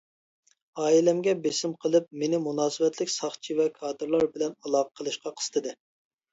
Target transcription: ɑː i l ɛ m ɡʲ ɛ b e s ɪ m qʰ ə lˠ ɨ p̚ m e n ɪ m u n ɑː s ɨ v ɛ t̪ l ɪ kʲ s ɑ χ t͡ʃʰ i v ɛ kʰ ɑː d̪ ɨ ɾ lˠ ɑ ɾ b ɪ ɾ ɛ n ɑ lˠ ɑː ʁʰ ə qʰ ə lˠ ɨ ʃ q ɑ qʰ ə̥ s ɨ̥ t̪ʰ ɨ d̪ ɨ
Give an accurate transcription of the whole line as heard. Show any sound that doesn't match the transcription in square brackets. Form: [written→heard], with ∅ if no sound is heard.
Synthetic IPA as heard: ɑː i l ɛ m ɡʲ ɛ b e s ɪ m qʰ ə lˠ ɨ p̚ m e n ɪ m u n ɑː s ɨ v ɛ t̪ l ɪ kʲ s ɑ χ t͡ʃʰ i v ɛ kʰ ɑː d̪ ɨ ɾ lˠ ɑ ɾ b ɪ [ɾ→l] ɛ n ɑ lˠ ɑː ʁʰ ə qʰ ə lˠ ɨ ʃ q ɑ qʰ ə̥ s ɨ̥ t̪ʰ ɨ d̪ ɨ